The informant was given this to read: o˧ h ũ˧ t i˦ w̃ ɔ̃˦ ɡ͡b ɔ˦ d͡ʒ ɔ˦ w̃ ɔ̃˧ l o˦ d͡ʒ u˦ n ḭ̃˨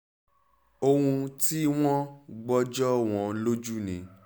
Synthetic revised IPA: o˧ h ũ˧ t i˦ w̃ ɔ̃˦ ɡ͡b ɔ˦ d͡ʒ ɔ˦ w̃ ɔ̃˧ l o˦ d͡ʒ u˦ n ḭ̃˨